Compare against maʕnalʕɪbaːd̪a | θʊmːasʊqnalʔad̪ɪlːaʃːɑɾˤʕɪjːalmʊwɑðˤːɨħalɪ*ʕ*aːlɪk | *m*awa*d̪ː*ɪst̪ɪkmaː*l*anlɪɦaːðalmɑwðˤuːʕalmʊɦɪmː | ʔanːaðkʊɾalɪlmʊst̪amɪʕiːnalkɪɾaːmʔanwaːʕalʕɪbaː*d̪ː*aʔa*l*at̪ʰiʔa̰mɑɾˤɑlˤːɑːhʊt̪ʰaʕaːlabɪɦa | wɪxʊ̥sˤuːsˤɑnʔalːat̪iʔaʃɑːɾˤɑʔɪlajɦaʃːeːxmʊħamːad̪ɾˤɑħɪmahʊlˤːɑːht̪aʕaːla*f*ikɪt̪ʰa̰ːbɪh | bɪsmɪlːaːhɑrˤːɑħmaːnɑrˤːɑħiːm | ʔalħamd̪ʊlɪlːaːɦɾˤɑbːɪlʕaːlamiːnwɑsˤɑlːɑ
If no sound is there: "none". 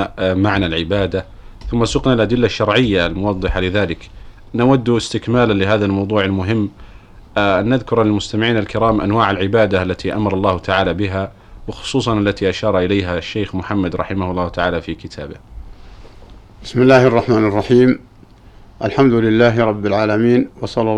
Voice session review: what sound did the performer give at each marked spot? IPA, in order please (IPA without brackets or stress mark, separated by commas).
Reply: ð, n, d̪ː, l, d̪, lː, f